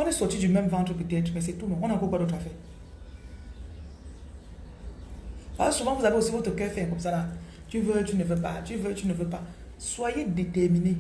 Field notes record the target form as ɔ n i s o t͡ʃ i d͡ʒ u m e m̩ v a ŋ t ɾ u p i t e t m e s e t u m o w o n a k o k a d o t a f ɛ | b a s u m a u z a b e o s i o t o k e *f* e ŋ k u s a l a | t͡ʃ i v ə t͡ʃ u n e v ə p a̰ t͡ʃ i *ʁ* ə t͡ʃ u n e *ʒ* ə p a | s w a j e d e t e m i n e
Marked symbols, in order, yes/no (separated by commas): yes, no, no